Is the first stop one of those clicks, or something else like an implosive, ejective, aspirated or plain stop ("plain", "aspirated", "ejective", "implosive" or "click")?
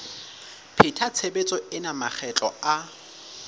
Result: aspirated